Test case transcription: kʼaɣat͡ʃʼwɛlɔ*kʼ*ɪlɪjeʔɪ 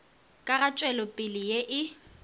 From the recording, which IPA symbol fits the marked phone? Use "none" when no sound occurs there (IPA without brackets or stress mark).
pʼ